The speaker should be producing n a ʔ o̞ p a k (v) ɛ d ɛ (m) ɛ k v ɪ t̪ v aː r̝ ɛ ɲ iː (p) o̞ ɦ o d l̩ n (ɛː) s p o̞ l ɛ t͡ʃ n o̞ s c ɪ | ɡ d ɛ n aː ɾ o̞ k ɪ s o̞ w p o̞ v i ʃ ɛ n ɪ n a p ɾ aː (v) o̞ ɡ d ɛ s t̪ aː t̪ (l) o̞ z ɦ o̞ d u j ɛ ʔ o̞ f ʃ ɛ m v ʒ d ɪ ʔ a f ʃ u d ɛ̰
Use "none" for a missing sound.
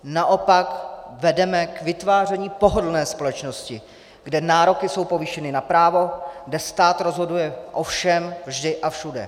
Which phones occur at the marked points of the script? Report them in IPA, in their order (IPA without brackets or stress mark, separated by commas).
v, m, p, ɛː, v, ɾ